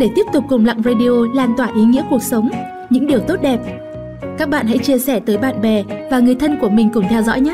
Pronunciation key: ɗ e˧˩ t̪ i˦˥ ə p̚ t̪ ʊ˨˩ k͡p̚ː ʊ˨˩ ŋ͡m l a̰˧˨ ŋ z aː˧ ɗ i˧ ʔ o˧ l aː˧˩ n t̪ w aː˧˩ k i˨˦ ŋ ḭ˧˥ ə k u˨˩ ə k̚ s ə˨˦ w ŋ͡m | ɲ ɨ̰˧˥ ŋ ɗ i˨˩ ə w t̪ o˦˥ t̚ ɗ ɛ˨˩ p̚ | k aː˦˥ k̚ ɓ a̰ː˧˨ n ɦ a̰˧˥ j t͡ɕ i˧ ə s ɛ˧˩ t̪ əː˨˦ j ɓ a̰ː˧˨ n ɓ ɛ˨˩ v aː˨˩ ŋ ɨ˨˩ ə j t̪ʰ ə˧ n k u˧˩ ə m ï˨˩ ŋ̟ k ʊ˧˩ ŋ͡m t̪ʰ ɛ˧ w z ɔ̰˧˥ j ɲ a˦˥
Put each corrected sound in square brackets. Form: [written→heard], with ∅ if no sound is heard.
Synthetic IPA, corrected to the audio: ɗ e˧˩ t̪ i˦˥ ə p̚ t̪ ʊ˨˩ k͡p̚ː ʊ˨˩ ŋ͡m l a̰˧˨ ŋ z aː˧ ɗ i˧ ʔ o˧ l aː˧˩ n t̪ w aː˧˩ [k→ʔ] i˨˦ ŋ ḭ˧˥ ə k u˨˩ ə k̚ s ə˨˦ w ŋ͡m | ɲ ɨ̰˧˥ ŋ ɗ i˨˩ ə w t̪ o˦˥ t̚ ɗ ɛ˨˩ p̚ | k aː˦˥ k̚ ɓ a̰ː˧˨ n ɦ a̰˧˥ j t͡ɕ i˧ ə s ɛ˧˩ t̪ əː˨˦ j ɓ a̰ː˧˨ n ɓ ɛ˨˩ v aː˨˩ ŋ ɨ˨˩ ə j t̪ʰ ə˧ n k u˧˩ ə m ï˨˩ ŋ̟ k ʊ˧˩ ŋ͡m t̪ʰ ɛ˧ w z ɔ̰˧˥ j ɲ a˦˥